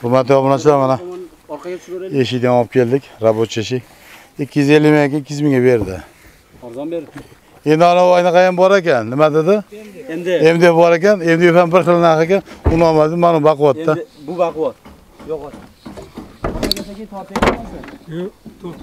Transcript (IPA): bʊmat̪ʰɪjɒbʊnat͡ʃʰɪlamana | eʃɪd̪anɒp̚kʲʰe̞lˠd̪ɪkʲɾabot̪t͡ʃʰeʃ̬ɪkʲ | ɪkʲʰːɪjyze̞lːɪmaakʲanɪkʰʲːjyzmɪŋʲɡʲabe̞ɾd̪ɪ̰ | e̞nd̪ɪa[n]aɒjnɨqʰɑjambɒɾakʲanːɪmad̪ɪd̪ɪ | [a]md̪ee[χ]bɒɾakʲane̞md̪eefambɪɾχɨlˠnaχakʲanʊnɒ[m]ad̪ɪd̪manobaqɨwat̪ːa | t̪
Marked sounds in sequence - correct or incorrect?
correct, incorrect, incorrect, correct

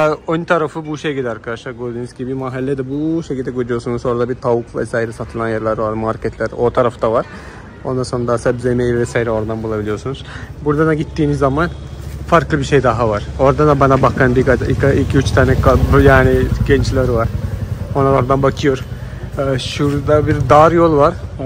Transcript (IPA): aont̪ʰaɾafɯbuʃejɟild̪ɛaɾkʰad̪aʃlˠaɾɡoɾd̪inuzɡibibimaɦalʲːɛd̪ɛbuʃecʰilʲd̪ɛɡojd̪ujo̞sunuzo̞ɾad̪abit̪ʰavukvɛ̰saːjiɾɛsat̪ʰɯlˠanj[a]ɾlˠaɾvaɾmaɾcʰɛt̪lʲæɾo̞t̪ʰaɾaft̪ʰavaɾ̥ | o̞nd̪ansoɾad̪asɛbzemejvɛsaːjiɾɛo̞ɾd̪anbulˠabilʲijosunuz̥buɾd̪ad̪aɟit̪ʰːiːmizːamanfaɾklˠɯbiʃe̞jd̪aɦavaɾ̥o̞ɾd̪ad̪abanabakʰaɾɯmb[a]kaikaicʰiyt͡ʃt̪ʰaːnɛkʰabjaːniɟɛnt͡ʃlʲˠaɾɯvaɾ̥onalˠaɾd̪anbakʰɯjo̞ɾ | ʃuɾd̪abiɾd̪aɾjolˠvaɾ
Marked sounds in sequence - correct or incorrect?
correct, incorrect

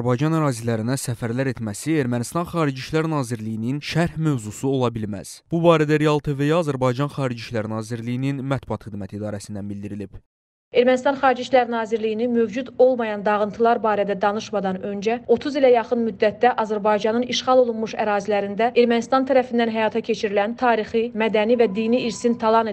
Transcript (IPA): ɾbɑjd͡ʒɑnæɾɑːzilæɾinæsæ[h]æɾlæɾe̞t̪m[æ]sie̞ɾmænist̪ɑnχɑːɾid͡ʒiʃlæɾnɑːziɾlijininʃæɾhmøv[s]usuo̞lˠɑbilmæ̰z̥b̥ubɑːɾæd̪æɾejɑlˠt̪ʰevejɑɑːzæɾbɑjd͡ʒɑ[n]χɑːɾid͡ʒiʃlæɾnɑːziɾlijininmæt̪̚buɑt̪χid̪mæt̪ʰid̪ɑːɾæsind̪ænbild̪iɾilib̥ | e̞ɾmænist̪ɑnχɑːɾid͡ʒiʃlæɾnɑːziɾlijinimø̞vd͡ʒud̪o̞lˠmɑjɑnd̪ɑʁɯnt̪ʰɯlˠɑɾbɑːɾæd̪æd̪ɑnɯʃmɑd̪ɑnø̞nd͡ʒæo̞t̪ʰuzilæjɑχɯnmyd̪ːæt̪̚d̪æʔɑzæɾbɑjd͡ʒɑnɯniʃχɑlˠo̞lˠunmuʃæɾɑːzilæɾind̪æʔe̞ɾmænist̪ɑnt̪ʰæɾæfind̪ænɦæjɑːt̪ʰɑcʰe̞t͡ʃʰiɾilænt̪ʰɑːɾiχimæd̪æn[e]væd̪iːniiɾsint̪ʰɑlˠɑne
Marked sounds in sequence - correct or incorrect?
incorrect, correct, incorrect, correct, incorrect

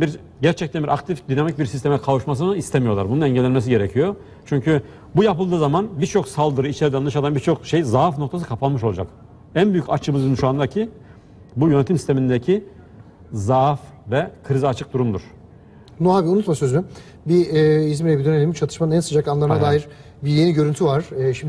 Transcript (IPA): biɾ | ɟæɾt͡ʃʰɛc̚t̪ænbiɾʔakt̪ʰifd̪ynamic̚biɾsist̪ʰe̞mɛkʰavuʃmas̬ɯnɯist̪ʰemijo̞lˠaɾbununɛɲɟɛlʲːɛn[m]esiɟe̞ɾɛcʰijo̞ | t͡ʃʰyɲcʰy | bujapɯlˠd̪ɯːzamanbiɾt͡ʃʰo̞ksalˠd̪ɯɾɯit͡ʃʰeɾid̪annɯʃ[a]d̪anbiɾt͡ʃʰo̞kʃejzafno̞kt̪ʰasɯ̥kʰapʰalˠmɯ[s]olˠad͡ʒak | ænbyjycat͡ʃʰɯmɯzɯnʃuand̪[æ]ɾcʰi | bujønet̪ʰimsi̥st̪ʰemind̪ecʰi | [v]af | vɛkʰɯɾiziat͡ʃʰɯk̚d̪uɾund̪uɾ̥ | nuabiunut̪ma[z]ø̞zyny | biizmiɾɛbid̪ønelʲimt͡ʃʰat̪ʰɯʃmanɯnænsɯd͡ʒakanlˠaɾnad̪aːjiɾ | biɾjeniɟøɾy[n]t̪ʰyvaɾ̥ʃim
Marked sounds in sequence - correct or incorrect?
correct, correct, incorrect, incorrect, incorrect, incorrect, correct

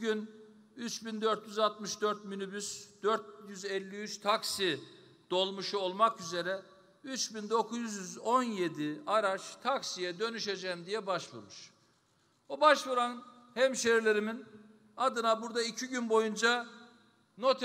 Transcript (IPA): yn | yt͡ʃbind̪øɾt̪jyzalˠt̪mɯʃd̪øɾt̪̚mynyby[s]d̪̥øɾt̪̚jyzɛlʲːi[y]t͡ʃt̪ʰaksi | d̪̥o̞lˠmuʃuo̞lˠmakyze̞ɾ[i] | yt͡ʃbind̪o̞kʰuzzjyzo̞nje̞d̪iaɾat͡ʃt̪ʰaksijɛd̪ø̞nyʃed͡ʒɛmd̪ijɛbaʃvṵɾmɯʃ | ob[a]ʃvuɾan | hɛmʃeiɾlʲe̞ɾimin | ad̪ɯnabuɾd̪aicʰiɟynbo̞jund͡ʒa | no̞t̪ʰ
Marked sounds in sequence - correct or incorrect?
correct, correct, incorrect, correct

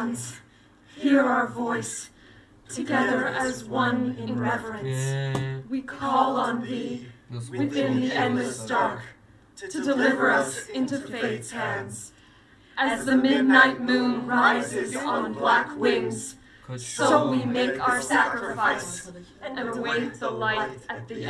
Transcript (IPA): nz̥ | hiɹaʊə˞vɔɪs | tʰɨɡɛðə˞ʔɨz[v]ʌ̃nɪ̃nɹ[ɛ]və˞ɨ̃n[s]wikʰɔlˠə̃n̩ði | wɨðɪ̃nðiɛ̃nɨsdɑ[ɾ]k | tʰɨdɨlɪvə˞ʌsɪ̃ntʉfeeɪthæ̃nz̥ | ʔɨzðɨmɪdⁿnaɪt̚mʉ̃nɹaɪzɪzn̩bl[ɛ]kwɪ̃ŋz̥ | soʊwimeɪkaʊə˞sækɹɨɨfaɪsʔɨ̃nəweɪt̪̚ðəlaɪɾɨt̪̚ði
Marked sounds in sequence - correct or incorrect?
incorrect, correct, correct, incorrect, incorrect

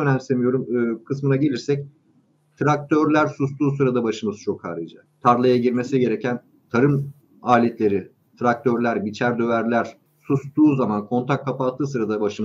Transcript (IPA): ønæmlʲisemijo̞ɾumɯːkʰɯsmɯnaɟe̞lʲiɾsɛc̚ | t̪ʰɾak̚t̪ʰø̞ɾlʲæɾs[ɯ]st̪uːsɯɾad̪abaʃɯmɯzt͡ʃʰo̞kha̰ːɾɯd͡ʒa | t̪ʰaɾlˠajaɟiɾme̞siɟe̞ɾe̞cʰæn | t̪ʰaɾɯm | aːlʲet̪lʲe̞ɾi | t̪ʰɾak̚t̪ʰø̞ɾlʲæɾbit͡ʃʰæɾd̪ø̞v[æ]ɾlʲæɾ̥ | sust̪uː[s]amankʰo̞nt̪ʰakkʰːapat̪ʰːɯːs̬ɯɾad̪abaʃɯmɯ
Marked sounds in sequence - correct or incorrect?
incorrect, correct, incorrect

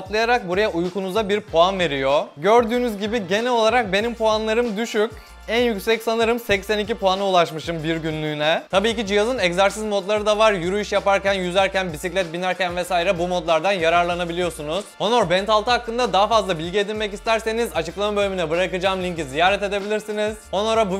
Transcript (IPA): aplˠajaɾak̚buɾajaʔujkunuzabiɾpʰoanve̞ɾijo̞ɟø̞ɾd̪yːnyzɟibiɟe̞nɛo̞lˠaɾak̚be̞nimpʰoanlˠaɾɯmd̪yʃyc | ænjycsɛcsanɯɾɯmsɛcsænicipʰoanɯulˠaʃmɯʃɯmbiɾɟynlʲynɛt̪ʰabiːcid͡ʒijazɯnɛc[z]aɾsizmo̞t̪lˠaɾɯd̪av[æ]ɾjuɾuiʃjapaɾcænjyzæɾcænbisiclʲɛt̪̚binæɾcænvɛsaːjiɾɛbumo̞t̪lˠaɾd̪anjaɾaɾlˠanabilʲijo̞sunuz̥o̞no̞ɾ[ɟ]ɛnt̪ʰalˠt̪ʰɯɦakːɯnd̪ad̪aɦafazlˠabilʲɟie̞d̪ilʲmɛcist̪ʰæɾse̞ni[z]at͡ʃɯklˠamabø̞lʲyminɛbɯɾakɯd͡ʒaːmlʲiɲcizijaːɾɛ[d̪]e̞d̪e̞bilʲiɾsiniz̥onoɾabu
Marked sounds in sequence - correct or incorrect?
correct, incorrect, incorrect, correct, incorrect

